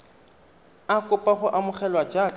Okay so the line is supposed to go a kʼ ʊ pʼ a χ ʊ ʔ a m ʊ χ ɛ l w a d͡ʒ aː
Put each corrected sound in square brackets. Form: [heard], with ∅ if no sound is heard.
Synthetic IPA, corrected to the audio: a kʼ ʊ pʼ a χ ʊ ʔ a m ʊ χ ɛ l w a d͡ʒ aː